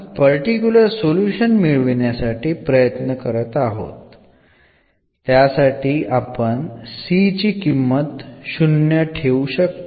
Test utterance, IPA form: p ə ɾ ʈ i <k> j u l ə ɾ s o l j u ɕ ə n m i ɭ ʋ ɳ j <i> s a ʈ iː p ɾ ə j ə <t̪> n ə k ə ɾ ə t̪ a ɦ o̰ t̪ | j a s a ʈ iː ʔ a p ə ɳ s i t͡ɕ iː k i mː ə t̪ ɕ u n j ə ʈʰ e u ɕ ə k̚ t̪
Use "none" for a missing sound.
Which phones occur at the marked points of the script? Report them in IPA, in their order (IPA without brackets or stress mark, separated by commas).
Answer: k, a, t̪